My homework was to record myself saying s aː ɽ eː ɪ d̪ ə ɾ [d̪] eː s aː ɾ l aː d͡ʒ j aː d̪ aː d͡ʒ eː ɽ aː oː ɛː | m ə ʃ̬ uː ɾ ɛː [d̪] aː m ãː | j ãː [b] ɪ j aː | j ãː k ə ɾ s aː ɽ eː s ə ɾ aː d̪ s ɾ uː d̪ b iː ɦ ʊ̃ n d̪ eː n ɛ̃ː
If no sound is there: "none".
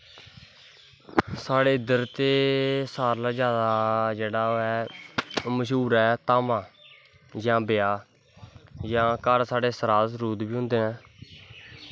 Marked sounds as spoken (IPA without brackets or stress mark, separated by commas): t̪, t̪, b